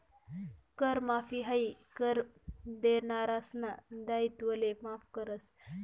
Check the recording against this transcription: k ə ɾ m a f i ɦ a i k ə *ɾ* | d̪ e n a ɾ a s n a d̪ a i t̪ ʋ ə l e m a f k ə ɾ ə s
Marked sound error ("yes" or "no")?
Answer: no